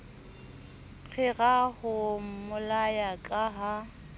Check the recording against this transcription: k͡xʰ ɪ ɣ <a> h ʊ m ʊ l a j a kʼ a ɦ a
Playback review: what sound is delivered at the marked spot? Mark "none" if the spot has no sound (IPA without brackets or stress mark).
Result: a